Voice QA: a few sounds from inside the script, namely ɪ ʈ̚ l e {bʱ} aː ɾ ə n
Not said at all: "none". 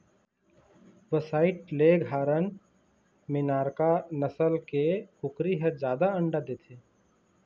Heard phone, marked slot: ɡʱ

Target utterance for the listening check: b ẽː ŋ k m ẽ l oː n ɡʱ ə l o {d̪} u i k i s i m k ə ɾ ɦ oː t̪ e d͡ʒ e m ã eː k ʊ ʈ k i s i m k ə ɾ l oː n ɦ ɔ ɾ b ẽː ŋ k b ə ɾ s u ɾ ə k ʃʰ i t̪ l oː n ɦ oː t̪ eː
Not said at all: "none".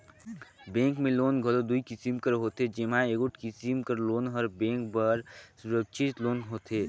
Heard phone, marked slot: d̪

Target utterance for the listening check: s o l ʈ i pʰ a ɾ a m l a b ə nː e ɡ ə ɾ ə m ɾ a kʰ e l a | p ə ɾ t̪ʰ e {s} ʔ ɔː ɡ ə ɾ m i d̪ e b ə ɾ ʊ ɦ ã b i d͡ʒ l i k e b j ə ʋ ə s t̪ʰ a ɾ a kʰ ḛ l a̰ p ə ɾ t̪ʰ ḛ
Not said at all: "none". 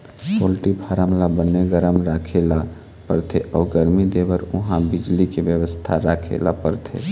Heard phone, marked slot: none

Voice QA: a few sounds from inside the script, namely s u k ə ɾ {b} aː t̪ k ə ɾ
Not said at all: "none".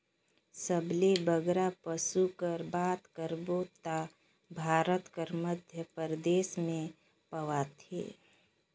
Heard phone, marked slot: b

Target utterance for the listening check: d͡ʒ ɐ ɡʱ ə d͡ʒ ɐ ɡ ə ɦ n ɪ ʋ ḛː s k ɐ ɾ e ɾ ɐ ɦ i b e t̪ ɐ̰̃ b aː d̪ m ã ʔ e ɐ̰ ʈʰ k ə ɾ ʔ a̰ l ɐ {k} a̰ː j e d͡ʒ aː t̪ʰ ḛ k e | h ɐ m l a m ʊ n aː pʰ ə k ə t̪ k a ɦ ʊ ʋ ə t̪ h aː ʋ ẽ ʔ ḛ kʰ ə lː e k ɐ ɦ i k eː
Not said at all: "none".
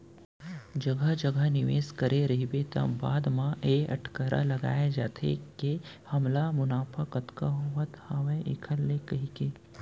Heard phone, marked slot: ɡ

